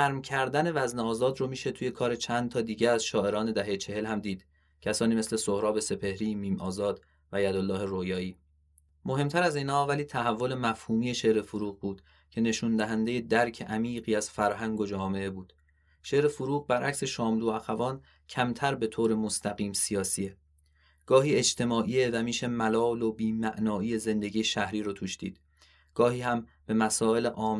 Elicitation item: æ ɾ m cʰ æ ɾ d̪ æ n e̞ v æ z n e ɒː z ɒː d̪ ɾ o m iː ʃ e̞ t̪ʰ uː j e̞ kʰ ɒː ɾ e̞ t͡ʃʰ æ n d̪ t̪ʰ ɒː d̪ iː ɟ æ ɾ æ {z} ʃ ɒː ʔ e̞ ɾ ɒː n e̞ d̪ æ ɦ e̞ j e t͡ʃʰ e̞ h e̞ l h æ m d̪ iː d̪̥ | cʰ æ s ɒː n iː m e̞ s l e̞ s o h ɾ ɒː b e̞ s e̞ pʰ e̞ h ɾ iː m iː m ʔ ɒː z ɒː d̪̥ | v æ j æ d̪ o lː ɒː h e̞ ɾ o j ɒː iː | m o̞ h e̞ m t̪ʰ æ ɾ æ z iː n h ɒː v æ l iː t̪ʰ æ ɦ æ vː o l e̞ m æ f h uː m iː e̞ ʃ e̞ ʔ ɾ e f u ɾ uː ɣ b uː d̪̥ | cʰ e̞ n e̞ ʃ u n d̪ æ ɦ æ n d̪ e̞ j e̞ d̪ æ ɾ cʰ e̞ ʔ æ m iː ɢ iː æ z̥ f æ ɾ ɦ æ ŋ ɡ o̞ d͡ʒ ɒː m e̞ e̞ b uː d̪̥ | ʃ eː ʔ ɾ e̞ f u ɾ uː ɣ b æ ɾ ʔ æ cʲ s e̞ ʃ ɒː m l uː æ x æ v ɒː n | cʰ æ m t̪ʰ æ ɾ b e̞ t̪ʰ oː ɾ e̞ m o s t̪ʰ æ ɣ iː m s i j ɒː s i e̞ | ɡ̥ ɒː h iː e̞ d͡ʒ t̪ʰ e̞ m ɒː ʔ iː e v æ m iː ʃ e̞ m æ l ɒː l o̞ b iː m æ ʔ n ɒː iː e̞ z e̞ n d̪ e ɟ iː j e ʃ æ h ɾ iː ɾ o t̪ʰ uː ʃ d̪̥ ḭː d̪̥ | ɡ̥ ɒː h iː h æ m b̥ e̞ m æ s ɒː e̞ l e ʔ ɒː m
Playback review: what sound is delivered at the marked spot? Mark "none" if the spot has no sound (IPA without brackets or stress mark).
z